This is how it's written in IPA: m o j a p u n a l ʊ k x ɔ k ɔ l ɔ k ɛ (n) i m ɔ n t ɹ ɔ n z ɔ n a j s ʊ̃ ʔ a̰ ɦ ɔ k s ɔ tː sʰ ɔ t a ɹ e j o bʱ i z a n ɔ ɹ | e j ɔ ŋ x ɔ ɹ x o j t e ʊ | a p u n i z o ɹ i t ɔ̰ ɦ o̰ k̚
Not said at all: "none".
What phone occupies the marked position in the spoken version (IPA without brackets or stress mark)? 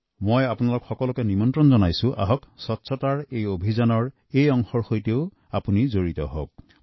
n